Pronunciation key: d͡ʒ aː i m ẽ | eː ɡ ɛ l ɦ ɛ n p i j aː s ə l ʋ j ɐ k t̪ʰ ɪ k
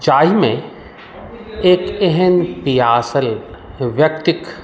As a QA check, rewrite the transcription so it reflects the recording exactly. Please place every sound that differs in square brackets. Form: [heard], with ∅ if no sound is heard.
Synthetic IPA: d͡ʒ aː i m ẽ | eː [k] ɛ [∅] ɦ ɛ n p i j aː s ə l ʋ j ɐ k [t̪] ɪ k